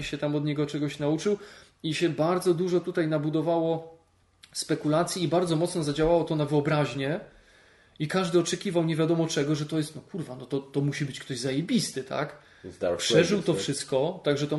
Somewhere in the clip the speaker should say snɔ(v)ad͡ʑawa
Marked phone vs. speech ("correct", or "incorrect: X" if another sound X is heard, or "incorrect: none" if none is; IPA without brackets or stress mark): incorrect: z